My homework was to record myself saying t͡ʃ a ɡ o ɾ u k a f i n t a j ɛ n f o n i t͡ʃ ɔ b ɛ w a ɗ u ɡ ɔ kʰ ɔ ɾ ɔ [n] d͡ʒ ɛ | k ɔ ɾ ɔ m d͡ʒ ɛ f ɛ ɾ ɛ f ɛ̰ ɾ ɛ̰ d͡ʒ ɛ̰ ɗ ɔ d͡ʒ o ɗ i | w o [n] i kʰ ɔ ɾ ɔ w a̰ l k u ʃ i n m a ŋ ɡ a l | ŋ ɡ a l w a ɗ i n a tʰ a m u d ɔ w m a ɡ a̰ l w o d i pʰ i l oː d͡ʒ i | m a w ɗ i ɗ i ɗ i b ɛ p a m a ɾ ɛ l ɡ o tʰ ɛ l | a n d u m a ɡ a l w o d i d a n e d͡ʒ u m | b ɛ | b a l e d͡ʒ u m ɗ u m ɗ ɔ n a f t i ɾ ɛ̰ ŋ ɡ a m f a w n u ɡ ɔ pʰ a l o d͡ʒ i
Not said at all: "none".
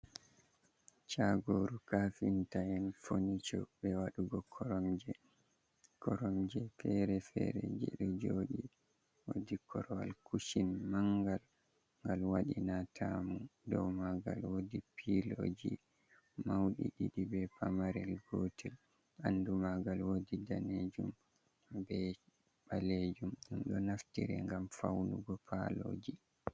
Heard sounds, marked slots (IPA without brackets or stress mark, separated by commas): m, d